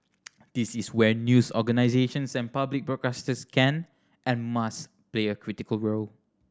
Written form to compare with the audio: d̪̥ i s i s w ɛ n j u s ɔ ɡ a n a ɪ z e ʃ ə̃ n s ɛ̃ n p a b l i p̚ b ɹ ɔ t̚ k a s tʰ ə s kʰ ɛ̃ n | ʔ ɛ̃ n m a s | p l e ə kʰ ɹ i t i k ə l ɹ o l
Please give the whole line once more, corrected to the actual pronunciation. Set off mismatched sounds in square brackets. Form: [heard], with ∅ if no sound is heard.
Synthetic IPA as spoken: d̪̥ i s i s w ɛ n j u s ɔ ɡ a n a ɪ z e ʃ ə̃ n s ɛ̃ n p a b l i [k̚] b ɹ ɔ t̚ k a s [t] ə s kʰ ɛ̃ n | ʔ ɛ̃ n m a s | p l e ə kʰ ɹ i t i k ə l ɹ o l